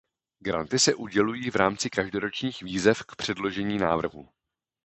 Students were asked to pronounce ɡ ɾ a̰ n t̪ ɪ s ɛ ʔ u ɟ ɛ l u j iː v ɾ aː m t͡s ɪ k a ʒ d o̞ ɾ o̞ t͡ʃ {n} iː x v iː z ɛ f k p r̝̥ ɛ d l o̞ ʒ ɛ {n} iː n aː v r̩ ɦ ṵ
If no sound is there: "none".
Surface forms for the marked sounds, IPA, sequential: ɲ, ɲ

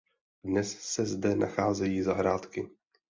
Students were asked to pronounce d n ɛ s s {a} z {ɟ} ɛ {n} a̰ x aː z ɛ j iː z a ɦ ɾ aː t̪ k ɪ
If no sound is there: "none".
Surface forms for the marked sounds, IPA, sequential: ɛ, d, n

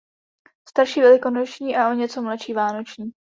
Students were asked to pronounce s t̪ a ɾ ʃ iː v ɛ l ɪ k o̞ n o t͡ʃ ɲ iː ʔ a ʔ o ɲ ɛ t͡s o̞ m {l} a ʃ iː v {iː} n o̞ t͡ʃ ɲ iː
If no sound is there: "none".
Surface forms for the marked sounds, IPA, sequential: l, aː

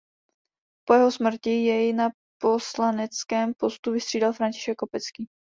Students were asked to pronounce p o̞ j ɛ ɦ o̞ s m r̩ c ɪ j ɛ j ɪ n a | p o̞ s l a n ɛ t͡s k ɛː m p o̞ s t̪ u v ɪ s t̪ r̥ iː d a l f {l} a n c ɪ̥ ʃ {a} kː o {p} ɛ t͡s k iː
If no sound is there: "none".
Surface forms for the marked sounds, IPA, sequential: ɾ, ɛ, p

